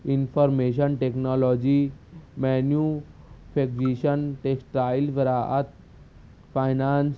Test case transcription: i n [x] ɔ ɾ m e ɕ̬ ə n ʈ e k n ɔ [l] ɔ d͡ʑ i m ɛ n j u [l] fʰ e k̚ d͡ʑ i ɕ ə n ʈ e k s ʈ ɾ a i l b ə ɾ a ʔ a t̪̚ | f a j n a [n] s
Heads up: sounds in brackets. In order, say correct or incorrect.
incorrect, correct, incorrect, correct

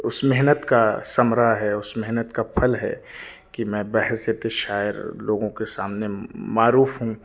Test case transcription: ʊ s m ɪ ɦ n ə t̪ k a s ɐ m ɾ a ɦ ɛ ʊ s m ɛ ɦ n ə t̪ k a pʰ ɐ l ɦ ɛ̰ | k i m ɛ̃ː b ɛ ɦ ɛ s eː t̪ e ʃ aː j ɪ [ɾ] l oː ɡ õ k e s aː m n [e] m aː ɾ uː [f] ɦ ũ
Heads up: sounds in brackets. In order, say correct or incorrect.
correct, correct, correct

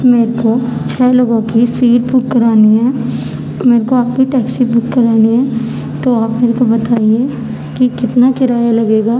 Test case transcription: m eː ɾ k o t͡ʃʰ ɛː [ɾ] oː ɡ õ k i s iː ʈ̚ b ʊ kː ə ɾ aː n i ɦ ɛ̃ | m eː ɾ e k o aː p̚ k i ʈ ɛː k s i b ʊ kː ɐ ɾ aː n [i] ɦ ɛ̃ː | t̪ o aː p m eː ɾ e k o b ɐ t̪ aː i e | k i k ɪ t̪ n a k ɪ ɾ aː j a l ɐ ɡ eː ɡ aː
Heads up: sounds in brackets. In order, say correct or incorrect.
incorrect, correct

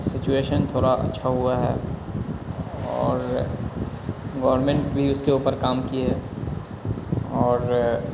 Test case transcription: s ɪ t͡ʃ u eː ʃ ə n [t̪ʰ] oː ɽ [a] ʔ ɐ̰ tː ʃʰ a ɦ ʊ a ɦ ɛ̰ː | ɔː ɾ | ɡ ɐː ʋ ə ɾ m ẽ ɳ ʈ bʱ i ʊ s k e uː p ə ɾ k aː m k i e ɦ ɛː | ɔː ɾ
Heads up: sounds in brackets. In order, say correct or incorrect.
correct, correct

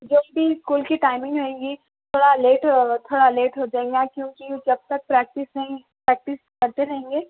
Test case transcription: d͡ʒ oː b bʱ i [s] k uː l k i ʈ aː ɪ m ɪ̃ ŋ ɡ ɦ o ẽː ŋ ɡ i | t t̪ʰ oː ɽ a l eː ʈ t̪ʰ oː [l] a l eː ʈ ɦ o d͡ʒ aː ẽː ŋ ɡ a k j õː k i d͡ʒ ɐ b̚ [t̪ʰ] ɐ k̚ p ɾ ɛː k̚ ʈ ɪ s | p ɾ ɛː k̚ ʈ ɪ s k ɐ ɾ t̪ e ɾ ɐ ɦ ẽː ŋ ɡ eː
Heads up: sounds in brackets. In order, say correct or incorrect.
correct, incorrect, incorrect

